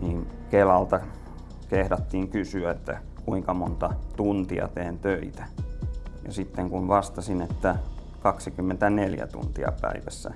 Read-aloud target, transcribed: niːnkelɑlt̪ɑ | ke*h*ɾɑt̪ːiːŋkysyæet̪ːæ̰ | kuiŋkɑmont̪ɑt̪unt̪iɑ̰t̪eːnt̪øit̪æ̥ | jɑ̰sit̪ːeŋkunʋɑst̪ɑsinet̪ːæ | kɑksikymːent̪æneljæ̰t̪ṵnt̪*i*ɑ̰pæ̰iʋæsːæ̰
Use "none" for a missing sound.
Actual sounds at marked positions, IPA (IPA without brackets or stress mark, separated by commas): h, i